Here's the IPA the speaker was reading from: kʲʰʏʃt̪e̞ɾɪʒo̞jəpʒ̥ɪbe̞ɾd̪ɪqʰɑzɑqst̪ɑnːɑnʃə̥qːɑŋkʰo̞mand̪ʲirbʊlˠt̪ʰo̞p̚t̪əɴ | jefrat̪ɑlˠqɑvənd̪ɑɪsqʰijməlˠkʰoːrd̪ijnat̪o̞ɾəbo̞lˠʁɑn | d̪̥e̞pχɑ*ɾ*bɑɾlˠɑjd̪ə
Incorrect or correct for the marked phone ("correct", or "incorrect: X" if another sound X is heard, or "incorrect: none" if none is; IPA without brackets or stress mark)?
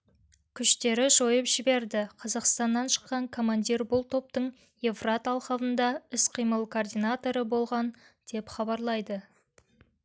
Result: incorrect: none